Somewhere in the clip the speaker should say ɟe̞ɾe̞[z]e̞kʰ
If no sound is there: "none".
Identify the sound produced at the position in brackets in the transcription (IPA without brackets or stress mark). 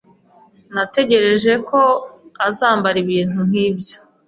ʒ